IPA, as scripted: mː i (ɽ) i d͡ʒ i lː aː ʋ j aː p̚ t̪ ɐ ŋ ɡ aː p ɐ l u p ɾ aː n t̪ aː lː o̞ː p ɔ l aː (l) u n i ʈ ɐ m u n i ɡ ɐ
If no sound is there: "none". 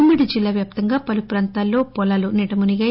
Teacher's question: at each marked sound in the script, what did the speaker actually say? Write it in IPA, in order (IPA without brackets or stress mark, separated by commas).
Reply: ɽ, l